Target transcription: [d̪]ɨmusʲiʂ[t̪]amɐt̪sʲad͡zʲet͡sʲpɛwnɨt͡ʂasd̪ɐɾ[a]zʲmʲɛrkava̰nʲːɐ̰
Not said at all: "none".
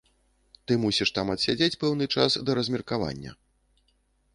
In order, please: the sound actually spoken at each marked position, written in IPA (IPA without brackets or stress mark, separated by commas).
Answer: t̪, t̪, ɐ